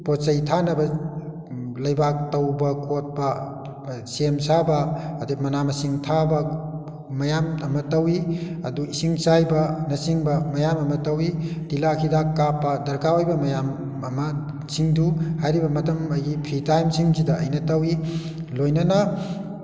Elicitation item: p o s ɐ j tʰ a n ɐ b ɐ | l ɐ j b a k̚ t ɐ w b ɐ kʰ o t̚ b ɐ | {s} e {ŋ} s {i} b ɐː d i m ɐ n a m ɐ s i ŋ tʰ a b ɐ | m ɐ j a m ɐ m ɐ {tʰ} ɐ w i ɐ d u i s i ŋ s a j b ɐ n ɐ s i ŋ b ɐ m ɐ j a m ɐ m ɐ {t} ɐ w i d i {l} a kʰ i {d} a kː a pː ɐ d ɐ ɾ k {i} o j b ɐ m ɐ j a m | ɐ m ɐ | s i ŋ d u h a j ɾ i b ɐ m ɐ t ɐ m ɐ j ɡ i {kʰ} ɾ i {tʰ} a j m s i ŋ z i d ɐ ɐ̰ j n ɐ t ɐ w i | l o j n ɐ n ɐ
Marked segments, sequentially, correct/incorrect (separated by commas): correct, incorrect, incorrect, incorrect, correct, correct, correct, incorrect, incorrect, incorrect